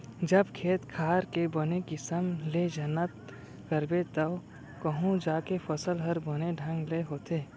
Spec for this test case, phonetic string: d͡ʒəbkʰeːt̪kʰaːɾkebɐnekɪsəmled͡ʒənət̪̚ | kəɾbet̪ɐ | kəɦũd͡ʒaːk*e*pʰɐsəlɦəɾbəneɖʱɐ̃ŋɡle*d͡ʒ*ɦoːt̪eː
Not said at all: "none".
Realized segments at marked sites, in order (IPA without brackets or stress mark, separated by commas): e, none